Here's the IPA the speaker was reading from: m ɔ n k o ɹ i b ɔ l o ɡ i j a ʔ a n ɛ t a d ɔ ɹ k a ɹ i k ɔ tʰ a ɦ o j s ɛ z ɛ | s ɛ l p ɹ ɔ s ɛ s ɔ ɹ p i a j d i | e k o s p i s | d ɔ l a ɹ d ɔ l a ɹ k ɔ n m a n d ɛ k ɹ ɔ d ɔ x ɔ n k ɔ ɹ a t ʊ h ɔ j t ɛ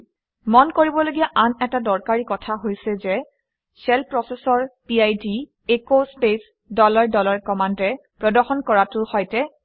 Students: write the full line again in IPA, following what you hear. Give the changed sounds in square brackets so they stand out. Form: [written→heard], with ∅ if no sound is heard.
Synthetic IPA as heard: m ɔ n k o ɹ i b ɔ l o ɡ i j a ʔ a n ɛ t a d ɔ ɹ k a ɹ i k ɔ tʰ a ɦ o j s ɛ z ɛ | s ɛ l p ɹ ɔ s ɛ s ɔ ɹ p i a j d i | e k o s p [i→e] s | d ɔ l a ɹ d ɔ l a ɹ k ɔ [n→∅] m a n d ɛ [k→p] ɹ ɔ d ɔ x ɔ n k ɔ ɹ a t ʊ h ɔ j t ɛ

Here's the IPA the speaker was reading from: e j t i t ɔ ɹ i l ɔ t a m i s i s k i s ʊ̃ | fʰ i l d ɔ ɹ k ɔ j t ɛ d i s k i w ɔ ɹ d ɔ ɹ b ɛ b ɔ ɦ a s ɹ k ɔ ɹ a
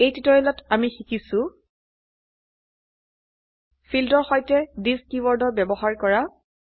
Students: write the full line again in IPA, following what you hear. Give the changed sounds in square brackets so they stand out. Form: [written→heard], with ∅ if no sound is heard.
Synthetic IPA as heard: e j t i t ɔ ɹ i l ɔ t a m i [s→x] i [s→∅] k i s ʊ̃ | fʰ i l d ɔ ɹ [k→x] ɔ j t ɛ d i s k i w ɔ ɹ d ɔ ɹ b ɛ b ɔ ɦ a [s→∅] ɹ k ɔ ɹ a

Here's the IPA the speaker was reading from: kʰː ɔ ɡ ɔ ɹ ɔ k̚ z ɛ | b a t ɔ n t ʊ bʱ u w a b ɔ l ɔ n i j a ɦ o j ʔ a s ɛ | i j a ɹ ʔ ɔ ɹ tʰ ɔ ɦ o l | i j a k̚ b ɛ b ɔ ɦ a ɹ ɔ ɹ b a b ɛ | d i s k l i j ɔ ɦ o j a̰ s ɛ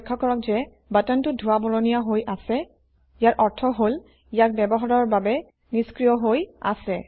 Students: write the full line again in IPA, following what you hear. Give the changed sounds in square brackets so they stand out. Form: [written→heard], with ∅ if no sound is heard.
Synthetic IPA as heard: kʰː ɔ [ɡ→k] ɔ ɹ ɔ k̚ z ɛ | b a t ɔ n t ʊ [bʱ→dʱ] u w a b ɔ l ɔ n i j a ɦ o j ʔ a s ɛ | i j a ɹ ʔ ɔ ɹ tʰ ɔ ɦ o l | i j a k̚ b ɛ b ɔ ɦ a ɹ ɔ ɹ b a b ɛ | [d→n] i s k [l→ɹ] i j ɔ ɦ o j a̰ s ɛ

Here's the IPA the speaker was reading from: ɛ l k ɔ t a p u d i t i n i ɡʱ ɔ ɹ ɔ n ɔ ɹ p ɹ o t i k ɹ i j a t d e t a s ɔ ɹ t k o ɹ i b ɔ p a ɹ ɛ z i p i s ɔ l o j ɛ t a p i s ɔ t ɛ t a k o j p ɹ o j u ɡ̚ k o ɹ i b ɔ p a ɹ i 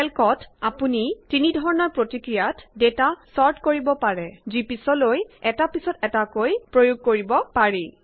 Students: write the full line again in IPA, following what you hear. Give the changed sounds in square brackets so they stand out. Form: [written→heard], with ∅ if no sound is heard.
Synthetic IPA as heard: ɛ l k ɔ t a p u [d→n] i t i n i [ɡʱ→dʱ] ɔ ɹ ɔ n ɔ ɹ p ɹ o t i k ɹ i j a t d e t a s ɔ ɹ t k o ɹ i b ɔ p a ɹ ɛ z i p i s ɔ l o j ɛ t a p i s ɔ t ɛ t a k o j p ɹ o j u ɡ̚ k o ɹ i b ɔ p a ɹ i

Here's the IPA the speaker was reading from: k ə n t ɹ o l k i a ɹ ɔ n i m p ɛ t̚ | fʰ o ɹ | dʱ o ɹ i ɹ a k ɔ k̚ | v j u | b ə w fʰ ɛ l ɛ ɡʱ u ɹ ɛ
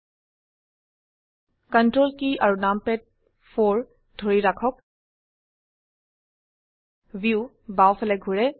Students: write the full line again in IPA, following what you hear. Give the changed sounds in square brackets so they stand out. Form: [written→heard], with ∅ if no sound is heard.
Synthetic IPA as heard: k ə n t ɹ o l k i a ɹ [ɔ→u] n [i→a] m p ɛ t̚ | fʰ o ɹ | dʱ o ɹ i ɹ a [k→kʰ] ɔ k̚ | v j u | b [ə→a] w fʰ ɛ l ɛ ɡʱ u ɹ ɛ

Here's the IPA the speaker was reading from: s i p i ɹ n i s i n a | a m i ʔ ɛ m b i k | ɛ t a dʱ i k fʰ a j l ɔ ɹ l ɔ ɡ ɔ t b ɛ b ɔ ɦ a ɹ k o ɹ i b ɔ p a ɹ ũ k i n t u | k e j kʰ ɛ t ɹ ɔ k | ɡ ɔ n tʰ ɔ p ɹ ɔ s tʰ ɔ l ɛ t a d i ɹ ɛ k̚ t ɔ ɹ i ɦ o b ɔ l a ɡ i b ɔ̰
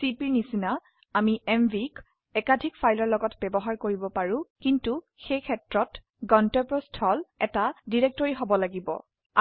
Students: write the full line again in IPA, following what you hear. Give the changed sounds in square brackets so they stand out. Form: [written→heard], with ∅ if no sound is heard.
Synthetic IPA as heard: s i p i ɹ n i s i n a | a m i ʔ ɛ m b i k | ɛ [t→k] a dʱ i k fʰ a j l ɔ ɹ l ɔ ɡ ɔ t b ɛ b ɔ ɦ a ɹ k o ɹ i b ɔ p a ɹ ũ k i n t u | [k→x] e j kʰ ɛ t ɹ ɔ [k→t] | ɡ ɔ n [tʰ→t] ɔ p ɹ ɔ s tʰ ɔ l ɛ t a d i ɹ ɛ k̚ t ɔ ɹ i ɦ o b ɔ l a ɡ i b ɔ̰

